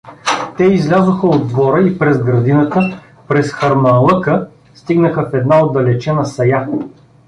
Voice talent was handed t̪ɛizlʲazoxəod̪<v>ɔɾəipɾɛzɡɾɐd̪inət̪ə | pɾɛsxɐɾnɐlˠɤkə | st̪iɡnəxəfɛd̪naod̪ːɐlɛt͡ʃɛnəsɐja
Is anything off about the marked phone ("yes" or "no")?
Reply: no